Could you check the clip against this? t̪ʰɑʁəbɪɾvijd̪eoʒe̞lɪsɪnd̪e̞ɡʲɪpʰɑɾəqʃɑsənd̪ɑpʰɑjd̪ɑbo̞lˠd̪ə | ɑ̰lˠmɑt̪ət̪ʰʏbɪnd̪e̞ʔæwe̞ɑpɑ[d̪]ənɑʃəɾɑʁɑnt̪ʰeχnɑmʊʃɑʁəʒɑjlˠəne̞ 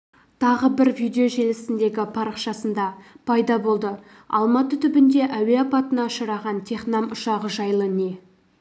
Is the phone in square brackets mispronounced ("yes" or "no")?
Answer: yes